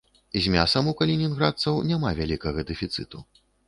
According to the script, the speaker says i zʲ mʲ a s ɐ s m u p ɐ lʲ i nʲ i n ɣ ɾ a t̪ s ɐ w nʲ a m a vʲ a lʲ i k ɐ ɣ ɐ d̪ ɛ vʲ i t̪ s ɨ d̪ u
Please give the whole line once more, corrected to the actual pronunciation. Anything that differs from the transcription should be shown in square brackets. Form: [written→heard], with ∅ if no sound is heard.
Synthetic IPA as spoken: i zʲ mʲ a s ɐ [s→∅] m u [p→k] ɐ lʲ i nʲ i n ɣ ɾ a t̪ s ɐ w nʲ a m a vʲ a lʲ i k ɐ ɣ ɐ d̪ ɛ [vʲ→fʲ] i t̪ s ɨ [d̪→t̪] u

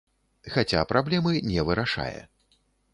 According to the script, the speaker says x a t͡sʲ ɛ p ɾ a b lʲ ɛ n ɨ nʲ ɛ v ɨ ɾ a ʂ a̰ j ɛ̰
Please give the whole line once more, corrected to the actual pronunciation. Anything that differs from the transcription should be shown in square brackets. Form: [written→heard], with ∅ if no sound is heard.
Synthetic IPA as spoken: x a t͡sʲ [ɛ→a] p ɾ a b lʲ ɛ [n→m] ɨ nʲ ɛ v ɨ ɾ a ʂ a̰ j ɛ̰

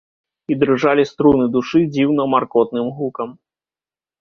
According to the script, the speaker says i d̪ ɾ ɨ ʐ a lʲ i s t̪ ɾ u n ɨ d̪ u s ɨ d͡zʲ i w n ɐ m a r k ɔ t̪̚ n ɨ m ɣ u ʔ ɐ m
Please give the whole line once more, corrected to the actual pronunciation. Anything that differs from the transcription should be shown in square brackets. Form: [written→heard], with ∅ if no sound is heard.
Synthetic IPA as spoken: i d̪ ɾ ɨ ʐ a lʲ i s t̪ ɾ u n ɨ d̪ u [s→ʂ] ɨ d͡zʲ i w n ɐ m a r k ɔ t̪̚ n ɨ m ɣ u [ʔ→k] ɐ m

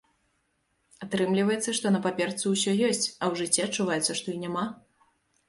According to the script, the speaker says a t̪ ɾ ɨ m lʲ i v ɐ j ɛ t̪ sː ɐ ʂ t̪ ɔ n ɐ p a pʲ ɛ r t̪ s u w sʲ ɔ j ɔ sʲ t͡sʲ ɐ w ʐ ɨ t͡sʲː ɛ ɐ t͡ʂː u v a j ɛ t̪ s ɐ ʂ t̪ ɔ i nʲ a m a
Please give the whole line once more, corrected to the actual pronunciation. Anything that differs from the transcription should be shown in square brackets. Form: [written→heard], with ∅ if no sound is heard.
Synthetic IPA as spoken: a t̪ ɾ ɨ m lʲ i v ɐ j ɛ t̪ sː ɐ ʂ t̪ ɔ n ɐ p a pʲ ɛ r t̪ s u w sʲ ɔ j ɔ sʲ t͡sʲ ɐ w ʐ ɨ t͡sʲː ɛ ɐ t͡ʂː u v a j ɛ t̪ s ɐ ʂ t̪ ɔ i nʲ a m a

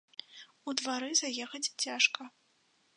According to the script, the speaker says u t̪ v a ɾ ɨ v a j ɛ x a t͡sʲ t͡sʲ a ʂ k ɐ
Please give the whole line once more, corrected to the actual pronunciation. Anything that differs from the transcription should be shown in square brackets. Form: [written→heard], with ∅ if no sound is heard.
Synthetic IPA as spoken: u [t̪→d̪] v a ɾ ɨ [v→z] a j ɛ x [a→ɐ] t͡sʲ t͡sʲ a ʂ k ɐ

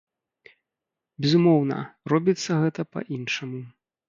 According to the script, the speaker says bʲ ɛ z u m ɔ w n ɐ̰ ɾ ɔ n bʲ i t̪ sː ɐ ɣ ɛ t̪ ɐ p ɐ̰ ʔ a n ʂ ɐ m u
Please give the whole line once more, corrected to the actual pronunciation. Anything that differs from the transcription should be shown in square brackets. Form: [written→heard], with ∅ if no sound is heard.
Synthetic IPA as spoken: bʲ ɛ z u m ɔ w n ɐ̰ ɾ ɔ [n→∅] bʲ i t̪ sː ɐ ɣ ɛ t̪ ɐ p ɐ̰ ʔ [a→i] n ʂ ɐ m u

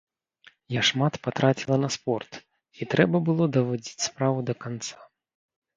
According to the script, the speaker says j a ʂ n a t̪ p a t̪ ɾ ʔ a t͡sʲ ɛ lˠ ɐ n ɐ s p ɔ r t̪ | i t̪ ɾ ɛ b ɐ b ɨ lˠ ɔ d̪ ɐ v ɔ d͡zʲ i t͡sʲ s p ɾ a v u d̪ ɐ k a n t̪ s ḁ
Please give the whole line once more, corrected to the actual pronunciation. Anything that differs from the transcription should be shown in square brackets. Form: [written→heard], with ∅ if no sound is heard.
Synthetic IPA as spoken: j a ʂ [n→m] a t̪ p a t̪ ɾ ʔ a t͡sʲ [ɛ→i] lˠ ɐ n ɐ s p ɔ r t̪ | i t̪ ɾ ɛ b ɐ b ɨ lˠ ɔ d̪ ɐ v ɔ d͡zʲ i t͡sʲ s p ɾ a v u d̪ ɐ k a n t̪ s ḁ

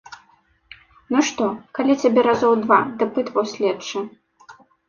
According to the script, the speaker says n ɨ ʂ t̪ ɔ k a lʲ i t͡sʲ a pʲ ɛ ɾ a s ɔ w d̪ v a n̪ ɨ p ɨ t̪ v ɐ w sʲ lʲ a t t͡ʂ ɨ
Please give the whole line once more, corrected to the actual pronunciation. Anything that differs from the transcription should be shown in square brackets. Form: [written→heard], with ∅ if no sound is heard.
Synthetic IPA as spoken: n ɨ ʂ t̪ ɔ k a lʲ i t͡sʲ a [pʲ→bʲ] ɛ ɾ a [s→z] ɔ w d̪ v a [n̪→d̪] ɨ p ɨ t̪ v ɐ w sʲ lʲ [a→ɛ] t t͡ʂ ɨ

